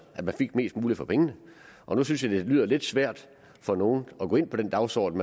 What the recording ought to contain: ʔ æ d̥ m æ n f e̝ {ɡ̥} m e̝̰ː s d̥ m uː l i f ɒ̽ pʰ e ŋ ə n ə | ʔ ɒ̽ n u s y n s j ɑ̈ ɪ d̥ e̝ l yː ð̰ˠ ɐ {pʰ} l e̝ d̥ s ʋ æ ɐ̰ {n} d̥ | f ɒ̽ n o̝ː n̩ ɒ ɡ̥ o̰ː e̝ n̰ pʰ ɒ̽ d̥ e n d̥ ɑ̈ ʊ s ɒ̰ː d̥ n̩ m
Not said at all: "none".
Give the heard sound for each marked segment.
ɡ̥, none, none

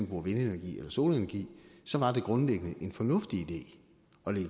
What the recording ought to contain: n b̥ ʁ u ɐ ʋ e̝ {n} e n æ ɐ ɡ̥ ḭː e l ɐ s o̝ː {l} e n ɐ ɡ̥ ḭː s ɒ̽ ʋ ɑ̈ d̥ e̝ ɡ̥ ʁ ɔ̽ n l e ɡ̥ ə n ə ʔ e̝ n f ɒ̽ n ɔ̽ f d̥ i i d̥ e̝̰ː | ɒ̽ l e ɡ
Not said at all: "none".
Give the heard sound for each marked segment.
n, l

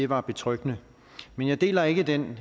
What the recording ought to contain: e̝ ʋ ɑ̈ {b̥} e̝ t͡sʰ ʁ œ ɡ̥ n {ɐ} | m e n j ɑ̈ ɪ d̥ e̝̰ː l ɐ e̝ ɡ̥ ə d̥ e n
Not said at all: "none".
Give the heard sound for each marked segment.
b̥, ə

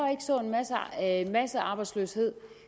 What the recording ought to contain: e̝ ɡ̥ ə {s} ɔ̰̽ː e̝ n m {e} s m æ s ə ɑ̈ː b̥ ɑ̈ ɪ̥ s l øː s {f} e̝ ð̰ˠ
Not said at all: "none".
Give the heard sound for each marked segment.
s, æ, h

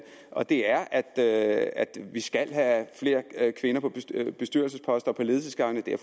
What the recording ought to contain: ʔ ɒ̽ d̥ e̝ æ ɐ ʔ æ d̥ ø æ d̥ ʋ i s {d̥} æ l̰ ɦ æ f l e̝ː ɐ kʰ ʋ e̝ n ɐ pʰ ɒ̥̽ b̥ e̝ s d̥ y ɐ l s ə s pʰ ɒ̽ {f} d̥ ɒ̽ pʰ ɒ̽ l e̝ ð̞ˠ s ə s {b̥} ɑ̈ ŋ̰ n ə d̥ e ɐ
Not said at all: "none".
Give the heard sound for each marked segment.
ɡ̥, s, ɡ̥

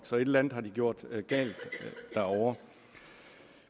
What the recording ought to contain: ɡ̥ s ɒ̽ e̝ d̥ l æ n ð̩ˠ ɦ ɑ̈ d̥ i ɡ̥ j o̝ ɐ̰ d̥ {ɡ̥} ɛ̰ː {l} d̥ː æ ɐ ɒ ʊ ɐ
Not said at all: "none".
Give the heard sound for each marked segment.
ɡ̥, l

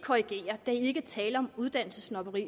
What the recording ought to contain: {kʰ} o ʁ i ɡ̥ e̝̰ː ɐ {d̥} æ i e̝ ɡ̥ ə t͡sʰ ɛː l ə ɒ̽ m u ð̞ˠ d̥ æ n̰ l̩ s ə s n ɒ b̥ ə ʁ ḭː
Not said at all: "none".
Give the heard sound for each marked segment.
kʰ, d̥

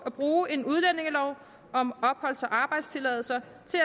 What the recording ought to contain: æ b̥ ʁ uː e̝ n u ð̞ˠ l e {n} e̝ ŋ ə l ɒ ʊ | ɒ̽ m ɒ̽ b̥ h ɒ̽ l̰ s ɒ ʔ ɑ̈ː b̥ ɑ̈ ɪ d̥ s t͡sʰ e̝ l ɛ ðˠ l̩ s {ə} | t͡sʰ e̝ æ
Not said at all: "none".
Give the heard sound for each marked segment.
n, ɐ

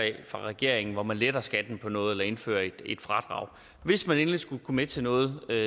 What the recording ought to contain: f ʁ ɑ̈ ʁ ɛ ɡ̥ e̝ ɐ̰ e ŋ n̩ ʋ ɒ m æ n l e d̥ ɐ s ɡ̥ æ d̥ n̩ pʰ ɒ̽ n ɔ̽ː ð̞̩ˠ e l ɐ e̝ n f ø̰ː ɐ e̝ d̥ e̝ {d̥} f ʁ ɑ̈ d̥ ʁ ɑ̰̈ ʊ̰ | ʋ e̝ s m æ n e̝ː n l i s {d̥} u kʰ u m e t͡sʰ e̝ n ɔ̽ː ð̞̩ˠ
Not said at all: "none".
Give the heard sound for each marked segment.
d̥, ɡ̥

